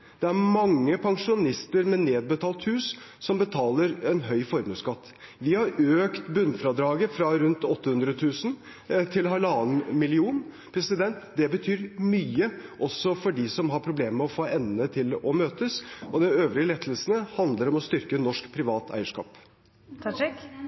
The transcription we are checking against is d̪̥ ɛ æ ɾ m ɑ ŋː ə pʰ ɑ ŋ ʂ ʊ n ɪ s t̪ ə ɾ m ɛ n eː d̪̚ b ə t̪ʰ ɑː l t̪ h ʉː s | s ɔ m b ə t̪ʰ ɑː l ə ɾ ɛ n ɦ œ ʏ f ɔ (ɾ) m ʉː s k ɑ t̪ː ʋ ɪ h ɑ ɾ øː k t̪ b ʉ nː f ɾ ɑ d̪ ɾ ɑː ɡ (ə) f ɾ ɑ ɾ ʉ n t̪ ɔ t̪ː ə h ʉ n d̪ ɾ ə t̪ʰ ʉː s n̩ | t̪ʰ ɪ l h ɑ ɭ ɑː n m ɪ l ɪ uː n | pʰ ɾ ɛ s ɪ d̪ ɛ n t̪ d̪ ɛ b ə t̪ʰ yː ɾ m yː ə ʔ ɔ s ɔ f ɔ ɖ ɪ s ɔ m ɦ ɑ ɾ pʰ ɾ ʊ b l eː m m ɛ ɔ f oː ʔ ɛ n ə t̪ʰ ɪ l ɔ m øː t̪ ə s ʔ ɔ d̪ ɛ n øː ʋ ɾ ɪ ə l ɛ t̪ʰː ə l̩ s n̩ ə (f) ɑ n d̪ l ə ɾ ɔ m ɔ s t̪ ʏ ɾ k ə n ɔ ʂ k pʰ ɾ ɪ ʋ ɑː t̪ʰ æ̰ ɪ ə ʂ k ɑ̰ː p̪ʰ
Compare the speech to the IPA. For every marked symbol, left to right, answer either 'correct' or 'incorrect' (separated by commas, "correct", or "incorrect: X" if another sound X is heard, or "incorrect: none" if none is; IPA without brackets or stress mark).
correct, correct, incorrect: h